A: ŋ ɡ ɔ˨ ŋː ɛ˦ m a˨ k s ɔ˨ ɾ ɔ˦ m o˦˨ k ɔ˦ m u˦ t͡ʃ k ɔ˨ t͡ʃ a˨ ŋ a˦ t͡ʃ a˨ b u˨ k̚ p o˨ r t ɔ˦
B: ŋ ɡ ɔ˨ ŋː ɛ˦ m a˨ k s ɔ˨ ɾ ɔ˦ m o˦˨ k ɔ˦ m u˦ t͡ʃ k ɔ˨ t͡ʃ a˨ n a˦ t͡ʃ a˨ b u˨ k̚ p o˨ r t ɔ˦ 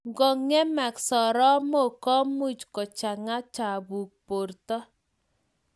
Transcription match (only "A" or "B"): A